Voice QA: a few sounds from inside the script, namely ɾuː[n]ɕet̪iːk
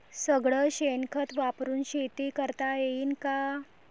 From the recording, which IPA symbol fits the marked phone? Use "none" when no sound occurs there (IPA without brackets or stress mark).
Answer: n